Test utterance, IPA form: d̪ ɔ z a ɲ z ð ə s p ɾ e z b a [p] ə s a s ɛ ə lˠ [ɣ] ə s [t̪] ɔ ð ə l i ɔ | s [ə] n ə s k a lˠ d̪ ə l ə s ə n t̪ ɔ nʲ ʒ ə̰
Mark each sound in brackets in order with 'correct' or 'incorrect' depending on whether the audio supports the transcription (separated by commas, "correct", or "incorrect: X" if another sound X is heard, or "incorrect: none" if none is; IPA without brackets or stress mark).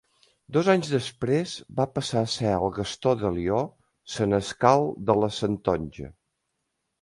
correct, correct, correct, correct